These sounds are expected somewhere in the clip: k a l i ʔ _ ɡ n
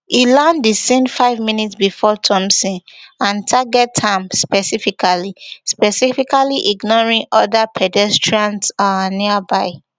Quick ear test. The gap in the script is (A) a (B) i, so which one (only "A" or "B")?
B